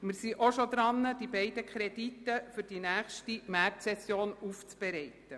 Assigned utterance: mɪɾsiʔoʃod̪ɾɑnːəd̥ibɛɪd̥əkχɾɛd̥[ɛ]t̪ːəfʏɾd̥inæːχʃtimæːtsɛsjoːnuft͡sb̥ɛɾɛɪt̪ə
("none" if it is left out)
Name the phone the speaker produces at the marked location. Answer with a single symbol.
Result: i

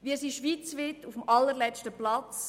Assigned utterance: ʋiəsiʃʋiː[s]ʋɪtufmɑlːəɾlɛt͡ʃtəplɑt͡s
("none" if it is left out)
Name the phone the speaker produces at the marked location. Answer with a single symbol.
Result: t͡s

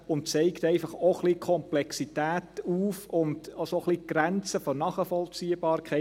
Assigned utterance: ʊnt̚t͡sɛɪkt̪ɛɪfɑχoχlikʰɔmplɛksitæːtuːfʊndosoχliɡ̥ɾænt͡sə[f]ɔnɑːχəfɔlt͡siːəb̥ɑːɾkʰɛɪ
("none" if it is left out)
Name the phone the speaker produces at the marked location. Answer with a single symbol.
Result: f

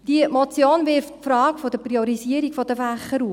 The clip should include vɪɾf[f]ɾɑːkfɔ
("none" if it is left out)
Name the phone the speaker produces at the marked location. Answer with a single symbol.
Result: f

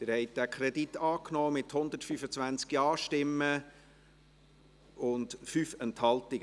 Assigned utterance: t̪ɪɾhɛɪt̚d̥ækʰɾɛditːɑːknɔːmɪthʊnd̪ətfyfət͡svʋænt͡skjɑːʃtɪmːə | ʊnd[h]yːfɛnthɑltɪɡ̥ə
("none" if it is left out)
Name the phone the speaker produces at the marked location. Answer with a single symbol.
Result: f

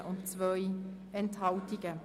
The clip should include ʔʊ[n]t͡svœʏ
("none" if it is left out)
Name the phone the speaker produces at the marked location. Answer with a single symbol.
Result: n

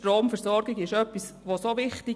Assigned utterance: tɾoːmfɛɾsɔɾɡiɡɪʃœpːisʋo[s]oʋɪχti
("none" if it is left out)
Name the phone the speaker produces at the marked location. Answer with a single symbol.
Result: s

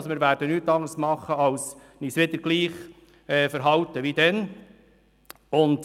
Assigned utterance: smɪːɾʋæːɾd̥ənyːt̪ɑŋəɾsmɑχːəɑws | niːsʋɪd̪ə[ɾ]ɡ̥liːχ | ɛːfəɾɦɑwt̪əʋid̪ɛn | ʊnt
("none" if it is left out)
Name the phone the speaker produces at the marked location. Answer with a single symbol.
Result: ɾ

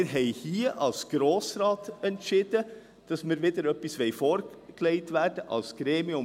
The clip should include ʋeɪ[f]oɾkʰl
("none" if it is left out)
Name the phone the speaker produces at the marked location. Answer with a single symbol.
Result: f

